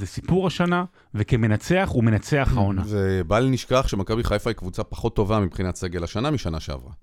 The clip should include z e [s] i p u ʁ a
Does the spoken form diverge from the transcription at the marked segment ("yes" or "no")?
no